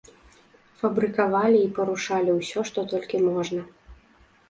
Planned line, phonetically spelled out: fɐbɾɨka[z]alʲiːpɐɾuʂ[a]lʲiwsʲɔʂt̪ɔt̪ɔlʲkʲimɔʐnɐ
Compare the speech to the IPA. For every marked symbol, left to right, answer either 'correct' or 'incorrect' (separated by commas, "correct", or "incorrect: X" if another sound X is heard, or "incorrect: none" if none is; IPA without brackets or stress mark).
incorrect: v, correct